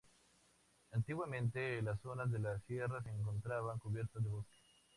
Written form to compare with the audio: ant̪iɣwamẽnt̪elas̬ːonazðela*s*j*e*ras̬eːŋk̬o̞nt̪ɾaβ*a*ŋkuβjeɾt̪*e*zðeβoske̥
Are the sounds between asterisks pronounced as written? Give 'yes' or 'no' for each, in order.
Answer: yes, yes, yes, no

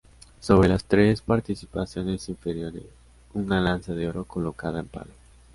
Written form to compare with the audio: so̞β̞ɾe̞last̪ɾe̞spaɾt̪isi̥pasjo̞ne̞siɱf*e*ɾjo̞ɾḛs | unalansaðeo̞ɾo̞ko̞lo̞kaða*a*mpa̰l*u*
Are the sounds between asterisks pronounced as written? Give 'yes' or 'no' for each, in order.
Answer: yes, no, no

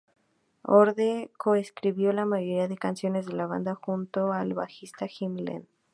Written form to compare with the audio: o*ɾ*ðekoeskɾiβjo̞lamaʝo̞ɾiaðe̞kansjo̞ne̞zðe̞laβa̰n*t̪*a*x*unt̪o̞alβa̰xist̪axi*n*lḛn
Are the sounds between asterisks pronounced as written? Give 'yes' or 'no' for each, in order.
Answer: yes, no, yes, no

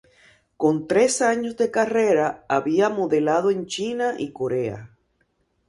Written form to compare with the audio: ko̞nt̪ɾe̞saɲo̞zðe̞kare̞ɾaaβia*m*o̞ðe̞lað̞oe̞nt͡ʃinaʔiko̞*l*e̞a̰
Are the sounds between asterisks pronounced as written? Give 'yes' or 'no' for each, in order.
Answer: yes, no

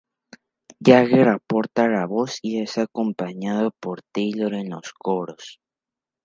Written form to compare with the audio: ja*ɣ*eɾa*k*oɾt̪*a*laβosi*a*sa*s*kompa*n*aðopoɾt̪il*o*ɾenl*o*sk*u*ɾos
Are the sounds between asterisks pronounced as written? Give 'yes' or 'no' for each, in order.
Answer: yes, no, yes, no, no, no, yes, yes, no

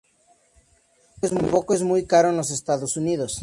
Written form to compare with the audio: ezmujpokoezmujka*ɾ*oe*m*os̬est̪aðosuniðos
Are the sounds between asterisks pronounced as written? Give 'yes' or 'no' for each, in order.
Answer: yes, no

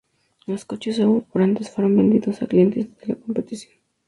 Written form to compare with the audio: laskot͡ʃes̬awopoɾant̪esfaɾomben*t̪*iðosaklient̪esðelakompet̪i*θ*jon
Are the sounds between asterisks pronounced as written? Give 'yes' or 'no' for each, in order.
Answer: no, no

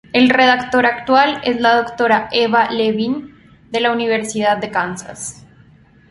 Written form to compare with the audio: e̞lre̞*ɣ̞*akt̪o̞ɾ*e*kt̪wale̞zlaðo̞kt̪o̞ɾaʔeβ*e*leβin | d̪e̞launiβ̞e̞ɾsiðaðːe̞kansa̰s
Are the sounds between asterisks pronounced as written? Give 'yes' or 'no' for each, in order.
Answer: no, no, no

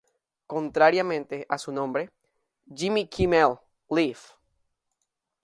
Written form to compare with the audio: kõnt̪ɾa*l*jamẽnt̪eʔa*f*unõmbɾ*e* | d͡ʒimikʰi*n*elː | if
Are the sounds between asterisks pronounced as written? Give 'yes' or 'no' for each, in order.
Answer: no, no, yes, no

